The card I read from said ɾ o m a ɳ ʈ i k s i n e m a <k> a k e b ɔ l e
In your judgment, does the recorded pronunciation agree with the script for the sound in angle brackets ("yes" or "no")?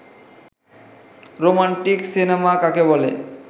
yes